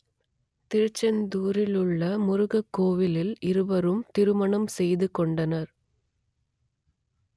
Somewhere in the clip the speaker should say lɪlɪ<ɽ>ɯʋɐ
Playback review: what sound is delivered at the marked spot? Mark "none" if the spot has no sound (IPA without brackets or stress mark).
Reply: ɾ